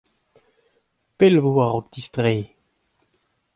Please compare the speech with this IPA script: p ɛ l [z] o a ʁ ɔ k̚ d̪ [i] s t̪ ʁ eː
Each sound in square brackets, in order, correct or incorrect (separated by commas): incorrect, correct